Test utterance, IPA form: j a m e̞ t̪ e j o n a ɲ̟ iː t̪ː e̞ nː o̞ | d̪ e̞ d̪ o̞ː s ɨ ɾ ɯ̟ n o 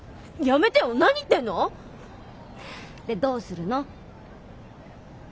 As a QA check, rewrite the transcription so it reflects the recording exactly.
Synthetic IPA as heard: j a m e̞ t̪ e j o n a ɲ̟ i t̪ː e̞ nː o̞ | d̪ e̞ d̪ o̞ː s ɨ ɾ ɯ̟ n o

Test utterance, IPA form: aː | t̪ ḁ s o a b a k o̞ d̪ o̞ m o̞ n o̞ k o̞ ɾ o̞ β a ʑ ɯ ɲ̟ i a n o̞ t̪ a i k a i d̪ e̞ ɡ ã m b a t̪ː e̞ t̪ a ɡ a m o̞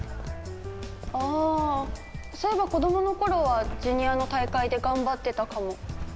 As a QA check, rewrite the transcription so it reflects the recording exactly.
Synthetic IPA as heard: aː | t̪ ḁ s o e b a k o̞ d̪ o̞ m o̞ n o̞ k o̞ ɾ o̞ β a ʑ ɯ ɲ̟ i a n o̞ t̪ a i k a i d̪ e̞ ɡ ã m b a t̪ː e̞ t̪ a k a m o̞

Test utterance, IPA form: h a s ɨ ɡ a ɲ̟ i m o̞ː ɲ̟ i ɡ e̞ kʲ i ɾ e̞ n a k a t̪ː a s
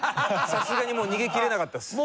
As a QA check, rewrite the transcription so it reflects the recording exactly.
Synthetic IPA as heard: s a s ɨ ɡ a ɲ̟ i m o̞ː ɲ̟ i ɡ e̞ kʲ i ɾ e̞ n a k a t̪ː a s

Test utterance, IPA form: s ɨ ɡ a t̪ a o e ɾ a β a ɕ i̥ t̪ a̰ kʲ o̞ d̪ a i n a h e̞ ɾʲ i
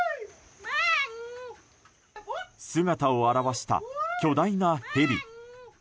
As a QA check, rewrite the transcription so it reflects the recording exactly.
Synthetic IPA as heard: s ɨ ɡ a t̪ a o a ɾ a β a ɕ i̥ t̪ a̰ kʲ o̞ d̪ a i n a h e̞ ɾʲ i

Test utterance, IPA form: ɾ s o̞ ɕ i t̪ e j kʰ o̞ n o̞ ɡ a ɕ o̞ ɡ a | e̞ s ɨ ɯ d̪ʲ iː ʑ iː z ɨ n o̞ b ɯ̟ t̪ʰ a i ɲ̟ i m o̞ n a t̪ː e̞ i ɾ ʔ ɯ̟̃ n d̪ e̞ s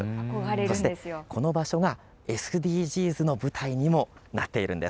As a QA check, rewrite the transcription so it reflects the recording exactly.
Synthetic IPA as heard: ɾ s o̞ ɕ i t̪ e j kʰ o̞ n o̞ b a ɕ o̞ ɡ a | e̞ s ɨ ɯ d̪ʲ iː ʑ iː z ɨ n o̞ b ɯ̟ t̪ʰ a i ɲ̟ i m o̞ n a t̪ː e̞ i ɾ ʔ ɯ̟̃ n d̪ e̞ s

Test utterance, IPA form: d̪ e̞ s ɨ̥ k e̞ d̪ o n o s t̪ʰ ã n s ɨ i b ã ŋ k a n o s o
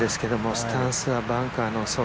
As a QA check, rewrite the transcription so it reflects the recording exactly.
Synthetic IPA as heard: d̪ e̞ s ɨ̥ k e̞ d̪ o m o s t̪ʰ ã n s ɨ a b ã ŋ k a n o s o

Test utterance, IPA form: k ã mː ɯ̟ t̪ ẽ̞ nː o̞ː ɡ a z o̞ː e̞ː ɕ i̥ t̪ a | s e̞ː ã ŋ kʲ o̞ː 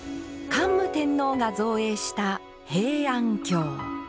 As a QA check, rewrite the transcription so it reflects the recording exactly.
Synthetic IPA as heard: k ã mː ɯ̟ t̪ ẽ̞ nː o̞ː ɡ a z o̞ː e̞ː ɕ i̥ t̪ a | h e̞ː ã ŋ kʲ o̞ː

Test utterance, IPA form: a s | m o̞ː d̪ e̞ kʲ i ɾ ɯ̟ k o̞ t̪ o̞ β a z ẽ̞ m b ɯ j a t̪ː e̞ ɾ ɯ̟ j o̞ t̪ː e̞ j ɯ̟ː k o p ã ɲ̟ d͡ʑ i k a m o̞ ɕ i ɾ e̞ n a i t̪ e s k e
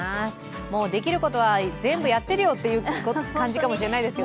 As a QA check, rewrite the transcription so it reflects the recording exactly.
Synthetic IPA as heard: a s | m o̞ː d̪ e̞ kʲ i ɾ ɯ̟ k o̞ t̪ o̞ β a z ẽ̞ m b ɯ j a t̪ː e̞ ɾ ɯ̟ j o̞ t̪ː e̞ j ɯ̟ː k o k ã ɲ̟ d͡ʑ i k a m o̞ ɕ i ɾ e̞ n a i d̪ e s k e

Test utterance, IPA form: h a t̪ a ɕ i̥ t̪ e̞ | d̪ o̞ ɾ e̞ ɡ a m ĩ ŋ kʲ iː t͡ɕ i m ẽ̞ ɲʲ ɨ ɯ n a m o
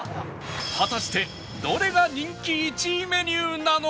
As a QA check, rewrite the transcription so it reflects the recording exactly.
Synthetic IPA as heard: h a t̪ a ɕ i̥ t̪ e̞ | d̪ o̞ ɾ e̞ ɡ a ɲ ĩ ŋ kʲ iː t͡ɕ i m e̞ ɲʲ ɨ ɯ n a n o

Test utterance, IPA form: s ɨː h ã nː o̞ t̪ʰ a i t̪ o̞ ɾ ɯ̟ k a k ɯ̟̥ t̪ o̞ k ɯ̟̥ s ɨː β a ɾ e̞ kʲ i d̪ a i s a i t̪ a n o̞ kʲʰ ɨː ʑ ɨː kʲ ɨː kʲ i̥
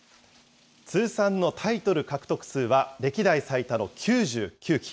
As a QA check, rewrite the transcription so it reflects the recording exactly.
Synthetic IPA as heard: t͡s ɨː s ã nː o̞ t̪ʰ a i t̪ o̞ ɾ ɯ̟ k a k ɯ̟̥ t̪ o̞ k ɯ̟̥ s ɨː β a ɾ e̞ kʲ i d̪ a i s a i t̪ a n o̞ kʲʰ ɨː ʑ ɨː kʲ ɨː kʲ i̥

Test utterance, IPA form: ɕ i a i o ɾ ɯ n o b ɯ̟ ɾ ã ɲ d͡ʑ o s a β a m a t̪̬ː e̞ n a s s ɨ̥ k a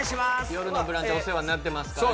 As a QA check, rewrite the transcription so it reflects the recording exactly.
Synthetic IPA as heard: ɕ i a j o ɾ ɯ n o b ɯ̟ ɾ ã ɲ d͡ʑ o s e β a n a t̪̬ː e̞ m a s s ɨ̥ k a

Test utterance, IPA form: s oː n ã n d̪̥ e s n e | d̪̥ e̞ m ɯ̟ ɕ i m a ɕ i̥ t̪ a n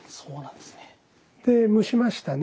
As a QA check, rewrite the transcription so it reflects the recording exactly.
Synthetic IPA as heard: s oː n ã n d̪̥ e s n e | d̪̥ e̞ m ɯ̟ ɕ i m a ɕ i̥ t̪ a n

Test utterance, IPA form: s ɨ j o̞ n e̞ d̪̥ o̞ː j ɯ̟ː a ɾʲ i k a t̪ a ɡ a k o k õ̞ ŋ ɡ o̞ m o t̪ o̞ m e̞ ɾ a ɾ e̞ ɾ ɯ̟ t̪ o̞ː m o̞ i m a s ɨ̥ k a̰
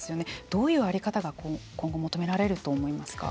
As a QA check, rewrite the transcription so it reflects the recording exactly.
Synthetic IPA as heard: s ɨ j o̞ n e̞ d̪̥ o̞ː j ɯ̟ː a ɾʲ i k a t̪ a ɡ a k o k õ̞ ŋ ɡ o̞ m o t̪ o̞ m e̞ ɾ a ɾ e̞ ɾ ɯ̟ t̪ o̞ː m o̞ i m a s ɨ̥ k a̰

